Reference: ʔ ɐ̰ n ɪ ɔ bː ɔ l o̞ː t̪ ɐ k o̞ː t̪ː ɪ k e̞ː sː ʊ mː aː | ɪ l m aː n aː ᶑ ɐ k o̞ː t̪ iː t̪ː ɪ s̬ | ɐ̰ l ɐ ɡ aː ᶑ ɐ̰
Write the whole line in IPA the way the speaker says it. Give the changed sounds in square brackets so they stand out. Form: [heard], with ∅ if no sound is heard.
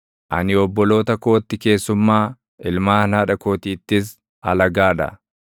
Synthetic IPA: ʔ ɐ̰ n ɪ ɔ bː ɔ l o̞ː t̪ ɐ k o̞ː t̪ː ɪ k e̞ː sː ʊ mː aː | ɪ l m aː n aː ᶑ ɐ k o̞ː t̪ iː t̪ː ɪ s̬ | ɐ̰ l ɐ ɡ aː ᶑ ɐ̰